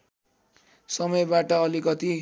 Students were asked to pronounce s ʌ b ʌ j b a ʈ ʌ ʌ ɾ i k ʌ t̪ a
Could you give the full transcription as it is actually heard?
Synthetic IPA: s ʌ m ʌ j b a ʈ ʌ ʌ l i k ʌ t̪ i